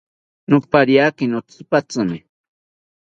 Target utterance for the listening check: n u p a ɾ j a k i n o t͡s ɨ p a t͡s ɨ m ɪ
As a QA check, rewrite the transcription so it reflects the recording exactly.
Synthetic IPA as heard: n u p a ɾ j a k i n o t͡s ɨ p a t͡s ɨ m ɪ

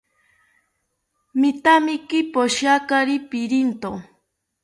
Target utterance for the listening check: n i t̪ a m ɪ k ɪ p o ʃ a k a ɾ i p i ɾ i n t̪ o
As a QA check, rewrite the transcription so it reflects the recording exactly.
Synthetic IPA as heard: m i t̪ a m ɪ k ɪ p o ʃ a k a ɾ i p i ɾ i n t̪ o

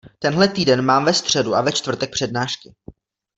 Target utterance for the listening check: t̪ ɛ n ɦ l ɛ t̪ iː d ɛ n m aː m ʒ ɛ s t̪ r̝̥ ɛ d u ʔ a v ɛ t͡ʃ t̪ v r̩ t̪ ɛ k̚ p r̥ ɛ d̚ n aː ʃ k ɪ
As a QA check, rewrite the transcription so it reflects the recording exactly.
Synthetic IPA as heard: t̪ ɛ n ɦ l ɛ t̪ iː d ɛ n m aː m v ɛ s t̪ r̝̥ ɛ d u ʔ a v ɛ t͡ʃ t̪ v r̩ t̪ ɛ k̚ p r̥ ɛ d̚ n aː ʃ k ɪ

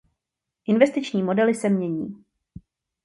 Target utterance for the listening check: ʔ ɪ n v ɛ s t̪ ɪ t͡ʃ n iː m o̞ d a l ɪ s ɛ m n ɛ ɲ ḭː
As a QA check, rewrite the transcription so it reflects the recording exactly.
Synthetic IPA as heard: ʔ ɪ n v ɛ s t̪ ɪ t͡ʃ ɲ iː m o̞ d ɛ l ɪ s ɛ m ɲ ɛ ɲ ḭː

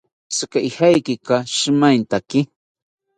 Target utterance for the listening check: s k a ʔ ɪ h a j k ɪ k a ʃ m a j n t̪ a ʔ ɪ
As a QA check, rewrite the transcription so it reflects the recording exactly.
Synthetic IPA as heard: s k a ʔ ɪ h a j k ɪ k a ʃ m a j n t̪ a k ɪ

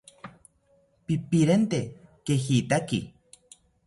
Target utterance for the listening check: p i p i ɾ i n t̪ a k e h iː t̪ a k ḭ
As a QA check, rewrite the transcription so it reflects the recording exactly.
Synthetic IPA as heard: p i p i ɾ e n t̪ e k e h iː t̪ a k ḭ

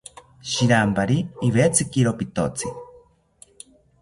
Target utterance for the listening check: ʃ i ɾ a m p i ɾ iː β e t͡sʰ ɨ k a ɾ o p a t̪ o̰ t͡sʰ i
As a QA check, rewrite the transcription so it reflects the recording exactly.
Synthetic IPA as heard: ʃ i ɾ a m p a ɾ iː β e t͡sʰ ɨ k i ɾ o p i t̪ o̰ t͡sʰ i

